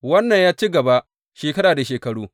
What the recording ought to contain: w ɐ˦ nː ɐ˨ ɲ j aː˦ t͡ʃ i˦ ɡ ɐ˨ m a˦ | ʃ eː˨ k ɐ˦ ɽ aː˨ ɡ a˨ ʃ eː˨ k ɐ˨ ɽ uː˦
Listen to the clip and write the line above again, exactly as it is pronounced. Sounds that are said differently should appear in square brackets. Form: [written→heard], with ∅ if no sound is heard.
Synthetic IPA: w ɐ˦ nː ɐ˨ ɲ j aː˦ t͡ʃ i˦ ɡ ɐ˨ [m→b] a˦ | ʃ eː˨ k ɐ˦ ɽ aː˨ [ɡ→d] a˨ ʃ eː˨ k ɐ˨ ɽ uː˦

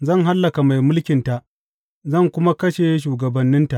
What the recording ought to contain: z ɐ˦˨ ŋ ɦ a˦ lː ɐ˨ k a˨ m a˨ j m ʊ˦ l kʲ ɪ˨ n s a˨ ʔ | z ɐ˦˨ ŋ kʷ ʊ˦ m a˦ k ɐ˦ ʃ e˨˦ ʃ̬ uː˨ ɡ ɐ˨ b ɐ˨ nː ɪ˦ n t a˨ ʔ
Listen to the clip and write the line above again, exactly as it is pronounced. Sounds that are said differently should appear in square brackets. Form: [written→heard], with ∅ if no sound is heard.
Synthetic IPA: z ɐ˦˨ ŋ ɦ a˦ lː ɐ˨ k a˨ m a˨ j m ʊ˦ l kʲ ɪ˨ n [s→t] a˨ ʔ | z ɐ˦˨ ŋ kʷ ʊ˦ m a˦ k ɐ˦ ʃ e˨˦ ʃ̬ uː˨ ɡ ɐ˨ b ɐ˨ nː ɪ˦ n t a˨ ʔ

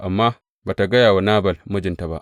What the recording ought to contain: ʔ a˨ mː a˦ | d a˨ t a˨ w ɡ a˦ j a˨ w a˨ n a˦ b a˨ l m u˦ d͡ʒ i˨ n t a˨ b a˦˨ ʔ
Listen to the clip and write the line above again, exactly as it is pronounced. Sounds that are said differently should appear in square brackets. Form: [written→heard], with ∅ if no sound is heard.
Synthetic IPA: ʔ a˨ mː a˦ | [d→b] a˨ t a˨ [w→∅] ɡ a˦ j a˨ w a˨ n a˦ b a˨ l m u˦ d͡ʒ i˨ n t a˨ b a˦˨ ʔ

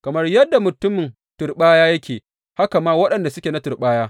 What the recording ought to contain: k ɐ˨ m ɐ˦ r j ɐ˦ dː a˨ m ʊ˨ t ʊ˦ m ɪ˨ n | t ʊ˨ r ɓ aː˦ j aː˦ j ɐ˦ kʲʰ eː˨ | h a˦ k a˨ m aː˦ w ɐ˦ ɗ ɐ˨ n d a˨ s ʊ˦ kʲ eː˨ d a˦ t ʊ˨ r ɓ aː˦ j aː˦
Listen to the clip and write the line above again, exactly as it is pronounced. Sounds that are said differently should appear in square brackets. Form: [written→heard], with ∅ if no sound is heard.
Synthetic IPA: k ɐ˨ m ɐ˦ r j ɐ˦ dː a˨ m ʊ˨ t ʊ˦ m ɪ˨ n | t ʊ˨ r ɓ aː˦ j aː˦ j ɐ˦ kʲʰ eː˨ | h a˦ k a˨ m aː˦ w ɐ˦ ɗ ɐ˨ n d a˨ s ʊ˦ kʲ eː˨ [d→n] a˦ t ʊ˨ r ɓ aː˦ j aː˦

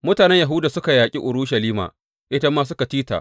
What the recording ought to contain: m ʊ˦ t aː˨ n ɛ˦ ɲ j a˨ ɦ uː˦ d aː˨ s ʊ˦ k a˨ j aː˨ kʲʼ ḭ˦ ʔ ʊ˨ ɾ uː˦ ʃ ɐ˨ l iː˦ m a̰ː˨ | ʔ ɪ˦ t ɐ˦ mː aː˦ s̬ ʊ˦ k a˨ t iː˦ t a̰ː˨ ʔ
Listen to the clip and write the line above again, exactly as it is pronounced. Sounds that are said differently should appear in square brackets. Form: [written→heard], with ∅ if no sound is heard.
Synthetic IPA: m ʊ˦ t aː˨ n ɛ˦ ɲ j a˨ ɦ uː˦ d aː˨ s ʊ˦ k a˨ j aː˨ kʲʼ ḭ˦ ʔ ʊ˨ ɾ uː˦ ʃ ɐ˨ l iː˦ m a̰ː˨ | ʔ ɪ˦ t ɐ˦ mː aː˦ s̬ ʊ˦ k a˨ t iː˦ t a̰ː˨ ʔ

